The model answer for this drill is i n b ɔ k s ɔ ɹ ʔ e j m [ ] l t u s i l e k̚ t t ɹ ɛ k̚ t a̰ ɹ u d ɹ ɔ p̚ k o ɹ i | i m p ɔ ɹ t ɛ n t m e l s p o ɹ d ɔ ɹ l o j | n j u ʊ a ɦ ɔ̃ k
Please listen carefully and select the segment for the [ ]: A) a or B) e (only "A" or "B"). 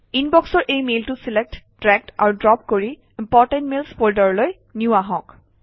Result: B